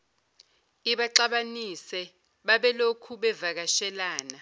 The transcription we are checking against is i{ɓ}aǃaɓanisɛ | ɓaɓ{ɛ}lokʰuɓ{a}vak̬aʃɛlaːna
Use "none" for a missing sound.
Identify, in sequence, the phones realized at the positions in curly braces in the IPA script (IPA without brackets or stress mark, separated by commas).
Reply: ɓ, ɛ, ɛ